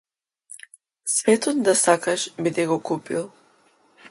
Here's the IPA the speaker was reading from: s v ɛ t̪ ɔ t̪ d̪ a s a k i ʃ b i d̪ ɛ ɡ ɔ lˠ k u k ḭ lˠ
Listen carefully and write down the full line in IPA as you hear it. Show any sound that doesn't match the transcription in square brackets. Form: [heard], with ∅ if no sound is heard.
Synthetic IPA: s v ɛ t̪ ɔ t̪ d̪ a s a k [a] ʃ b i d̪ ɛ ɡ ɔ [∅] k u [p] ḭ lˠ